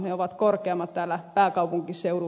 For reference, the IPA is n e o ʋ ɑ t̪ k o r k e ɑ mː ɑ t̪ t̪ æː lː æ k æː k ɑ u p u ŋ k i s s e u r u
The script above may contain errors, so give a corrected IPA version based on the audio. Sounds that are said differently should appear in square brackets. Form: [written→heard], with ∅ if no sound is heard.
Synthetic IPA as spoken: n e o ʋ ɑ t̪ k o r k e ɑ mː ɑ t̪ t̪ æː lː æ [k→p] æː k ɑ u p u ŋ k i s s e u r u